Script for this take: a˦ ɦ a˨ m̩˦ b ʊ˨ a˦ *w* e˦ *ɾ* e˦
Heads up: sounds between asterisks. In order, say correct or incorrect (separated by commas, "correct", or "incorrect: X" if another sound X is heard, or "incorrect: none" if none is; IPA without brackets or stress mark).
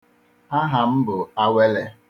correct, incorrect: l